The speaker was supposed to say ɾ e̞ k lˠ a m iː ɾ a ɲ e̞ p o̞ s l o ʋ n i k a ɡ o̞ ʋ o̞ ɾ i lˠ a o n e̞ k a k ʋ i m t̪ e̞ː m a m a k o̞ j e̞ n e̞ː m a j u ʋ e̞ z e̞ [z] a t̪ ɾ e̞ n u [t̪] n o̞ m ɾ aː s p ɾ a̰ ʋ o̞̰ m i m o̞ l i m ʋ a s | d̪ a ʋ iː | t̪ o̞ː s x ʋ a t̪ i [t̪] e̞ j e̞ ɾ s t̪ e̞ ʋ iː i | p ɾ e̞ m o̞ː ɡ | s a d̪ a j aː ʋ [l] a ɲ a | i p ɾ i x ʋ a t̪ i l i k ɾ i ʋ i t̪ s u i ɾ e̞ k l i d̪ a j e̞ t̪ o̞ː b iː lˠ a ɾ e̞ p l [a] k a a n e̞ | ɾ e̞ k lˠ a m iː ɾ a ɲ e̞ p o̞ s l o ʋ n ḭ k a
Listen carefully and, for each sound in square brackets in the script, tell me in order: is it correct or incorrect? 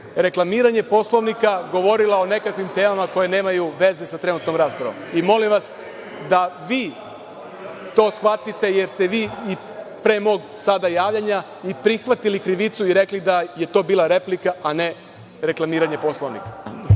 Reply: incorrect: s, correct, correct, incorrect: ʎ, incorrect: i

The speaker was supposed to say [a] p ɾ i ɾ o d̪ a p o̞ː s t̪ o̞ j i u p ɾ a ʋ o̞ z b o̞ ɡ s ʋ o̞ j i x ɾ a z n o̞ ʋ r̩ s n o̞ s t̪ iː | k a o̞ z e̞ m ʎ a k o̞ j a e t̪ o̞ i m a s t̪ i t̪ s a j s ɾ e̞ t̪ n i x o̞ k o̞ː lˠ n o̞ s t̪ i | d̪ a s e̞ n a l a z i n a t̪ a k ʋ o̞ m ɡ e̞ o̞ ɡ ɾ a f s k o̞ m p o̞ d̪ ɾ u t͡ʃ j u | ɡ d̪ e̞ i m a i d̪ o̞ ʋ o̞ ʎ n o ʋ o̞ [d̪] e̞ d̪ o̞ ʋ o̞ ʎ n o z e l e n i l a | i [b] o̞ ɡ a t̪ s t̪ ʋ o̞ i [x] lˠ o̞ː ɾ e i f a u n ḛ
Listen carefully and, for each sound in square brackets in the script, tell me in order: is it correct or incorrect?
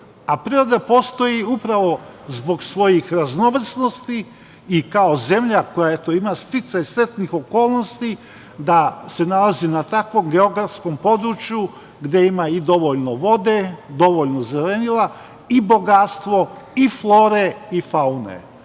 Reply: correct, correct, correct, incorrect: f

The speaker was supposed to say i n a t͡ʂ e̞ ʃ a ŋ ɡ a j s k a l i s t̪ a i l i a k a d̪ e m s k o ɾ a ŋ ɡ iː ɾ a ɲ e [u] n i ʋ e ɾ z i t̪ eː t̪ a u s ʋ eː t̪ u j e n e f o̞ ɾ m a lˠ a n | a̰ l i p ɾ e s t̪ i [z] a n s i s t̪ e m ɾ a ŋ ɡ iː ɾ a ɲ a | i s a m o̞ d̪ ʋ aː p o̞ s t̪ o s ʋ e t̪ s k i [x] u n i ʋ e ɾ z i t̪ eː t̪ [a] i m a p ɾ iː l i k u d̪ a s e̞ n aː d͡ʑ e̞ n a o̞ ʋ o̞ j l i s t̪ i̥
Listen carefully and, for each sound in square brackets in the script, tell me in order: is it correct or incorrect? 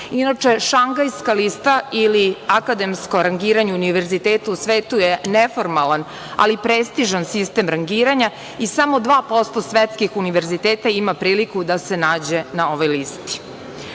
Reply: correct, incorrect: ʒ, correct, correct

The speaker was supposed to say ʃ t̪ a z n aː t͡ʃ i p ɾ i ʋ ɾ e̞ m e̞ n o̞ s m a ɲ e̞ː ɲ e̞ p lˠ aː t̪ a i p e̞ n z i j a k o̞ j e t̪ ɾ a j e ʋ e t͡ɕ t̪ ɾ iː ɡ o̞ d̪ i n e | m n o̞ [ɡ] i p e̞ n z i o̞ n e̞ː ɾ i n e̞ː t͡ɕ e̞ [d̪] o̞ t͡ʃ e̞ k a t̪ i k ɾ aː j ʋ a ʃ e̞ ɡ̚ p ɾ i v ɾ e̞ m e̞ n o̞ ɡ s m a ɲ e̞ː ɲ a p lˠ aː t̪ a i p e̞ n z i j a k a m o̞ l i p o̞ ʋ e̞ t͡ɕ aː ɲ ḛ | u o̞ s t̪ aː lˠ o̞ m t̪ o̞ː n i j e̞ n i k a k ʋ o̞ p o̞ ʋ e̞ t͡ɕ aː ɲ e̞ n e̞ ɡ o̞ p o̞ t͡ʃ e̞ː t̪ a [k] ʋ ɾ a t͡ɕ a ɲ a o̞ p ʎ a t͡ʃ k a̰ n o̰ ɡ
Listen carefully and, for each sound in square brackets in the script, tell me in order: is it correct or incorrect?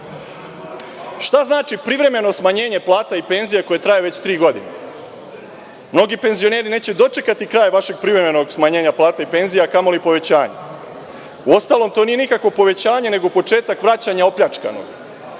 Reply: correct, correct, correct

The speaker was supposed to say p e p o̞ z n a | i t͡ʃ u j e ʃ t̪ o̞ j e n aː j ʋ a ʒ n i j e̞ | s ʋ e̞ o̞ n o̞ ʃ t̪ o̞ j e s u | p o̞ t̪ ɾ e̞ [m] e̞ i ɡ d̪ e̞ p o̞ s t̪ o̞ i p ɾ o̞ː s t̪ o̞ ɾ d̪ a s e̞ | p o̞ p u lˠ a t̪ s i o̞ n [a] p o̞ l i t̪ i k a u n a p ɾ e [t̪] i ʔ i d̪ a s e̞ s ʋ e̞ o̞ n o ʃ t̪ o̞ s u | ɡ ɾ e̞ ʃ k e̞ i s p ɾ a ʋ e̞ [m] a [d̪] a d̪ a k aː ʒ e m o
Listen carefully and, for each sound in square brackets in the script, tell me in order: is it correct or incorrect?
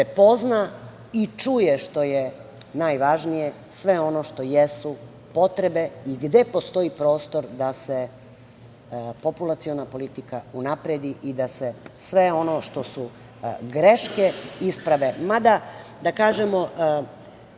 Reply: incorrect: b, correct, incorrect: d̪, correct, correct

